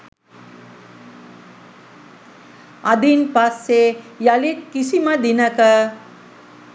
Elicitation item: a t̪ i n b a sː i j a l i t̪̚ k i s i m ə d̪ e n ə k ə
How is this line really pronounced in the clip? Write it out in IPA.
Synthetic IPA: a d̪ i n p a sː e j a l i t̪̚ k i s i m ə d̪ i n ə k ə